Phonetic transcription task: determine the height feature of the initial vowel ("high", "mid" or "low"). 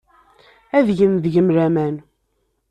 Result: low